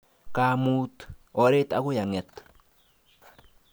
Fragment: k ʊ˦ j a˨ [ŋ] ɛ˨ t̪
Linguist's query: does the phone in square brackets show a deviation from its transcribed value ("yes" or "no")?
no